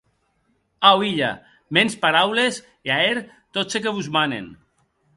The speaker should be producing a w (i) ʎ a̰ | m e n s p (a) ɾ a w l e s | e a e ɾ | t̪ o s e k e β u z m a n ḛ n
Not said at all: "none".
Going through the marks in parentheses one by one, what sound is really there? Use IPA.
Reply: i, a

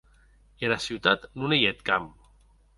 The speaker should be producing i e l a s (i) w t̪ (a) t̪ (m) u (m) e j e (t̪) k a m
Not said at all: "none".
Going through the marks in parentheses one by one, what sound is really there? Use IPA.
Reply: i, a, n, n, t̪

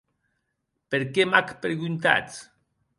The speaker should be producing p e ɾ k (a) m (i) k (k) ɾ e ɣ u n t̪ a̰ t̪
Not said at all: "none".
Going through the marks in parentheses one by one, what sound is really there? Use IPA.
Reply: e, a, p

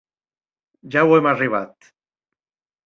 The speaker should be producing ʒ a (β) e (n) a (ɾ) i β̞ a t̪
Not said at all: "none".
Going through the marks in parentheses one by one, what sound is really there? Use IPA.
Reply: w, m, r

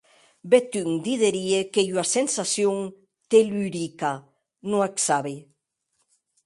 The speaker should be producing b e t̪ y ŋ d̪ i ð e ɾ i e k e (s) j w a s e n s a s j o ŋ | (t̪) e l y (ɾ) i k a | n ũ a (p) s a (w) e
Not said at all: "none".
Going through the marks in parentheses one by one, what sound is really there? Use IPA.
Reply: none, t̪, ɾ, k, β

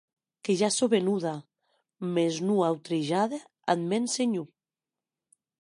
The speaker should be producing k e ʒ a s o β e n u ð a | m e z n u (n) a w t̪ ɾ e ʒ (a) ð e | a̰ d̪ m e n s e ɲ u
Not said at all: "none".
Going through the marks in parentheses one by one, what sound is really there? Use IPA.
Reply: none, a

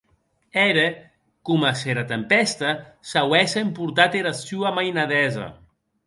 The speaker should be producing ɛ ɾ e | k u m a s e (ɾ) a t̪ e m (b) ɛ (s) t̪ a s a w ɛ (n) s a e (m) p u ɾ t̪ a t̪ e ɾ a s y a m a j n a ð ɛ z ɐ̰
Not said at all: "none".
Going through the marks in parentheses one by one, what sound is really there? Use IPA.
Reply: ɾ, p, s, none, m

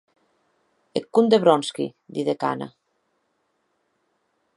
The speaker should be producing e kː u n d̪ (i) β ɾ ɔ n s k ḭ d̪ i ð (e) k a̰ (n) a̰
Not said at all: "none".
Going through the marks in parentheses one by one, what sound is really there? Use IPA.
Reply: e, e, n

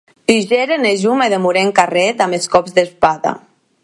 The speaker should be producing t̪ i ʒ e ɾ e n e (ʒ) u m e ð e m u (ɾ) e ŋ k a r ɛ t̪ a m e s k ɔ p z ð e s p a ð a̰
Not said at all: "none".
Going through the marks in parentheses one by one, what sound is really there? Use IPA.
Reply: ʒ, ɾ

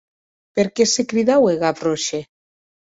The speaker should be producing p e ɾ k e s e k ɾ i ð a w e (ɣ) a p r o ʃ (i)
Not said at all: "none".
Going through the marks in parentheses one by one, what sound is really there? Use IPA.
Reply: ɣ, e

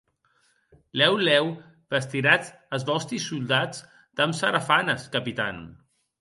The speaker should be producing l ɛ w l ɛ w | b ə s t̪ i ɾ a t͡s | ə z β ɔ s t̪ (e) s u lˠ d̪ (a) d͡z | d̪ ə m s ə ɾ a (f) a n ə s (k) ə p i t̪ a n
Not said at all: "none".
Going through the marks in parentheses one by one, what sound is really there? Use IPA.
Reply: i, a, f, k

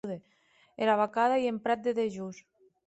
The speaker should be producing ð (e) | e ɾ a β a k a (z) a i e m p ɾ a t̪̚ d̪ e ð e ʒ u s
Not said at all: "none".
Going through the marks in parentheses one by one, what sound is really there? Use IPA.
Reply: e, ð

